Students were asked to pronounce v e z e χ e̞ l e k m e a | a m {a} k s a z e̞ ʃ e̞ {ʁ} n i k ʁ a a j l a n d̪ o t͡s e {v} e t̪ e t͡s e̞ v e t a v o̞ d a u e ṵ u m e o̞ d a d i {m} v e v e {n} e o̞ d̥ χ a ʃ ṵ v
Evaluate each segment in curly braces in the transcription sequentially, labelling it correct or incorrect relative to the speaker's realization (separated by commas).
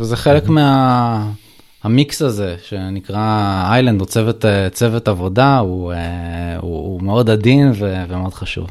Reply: incorrect, incorrect, correct, incorrect, incorrect